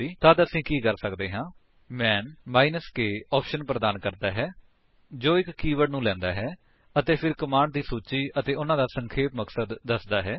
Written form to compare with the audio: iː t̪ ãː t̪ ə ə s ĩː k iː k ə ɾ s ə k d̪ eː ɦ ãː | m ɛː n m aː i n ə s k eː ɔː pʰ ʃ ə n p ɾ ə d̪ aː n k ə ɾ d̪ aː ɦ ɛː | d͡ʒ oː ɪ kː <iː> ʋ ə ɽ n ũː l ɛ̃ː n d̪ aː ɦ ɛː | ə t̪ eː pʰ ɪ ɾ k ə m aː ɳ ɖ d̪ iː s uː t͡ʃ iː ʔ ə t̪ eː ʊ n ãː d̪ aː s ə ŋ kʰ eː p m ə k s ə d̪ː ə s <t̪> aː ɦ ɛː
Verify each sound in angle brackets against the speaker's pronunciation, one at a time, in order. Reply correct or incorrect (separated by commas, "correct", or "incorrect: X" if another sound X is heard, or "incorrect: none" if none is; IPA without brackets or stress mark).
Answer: correct, incorrect: d̪